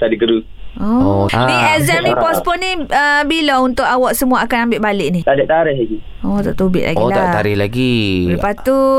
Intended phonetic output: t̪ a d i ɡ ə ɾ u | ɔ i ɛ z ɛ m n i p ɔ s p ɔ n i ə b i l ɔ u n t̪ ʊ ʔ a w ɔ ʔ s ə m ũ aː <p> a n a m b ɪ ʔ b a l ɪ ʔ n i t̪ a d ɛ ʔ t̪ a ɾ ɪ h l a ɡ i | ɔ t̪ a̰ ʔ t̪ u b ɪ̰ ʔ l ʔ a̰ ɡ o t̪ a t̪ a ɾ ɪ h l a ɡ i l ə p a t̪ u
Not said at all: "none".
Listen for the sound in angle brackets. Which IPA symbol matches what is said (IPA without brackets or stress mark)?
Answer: k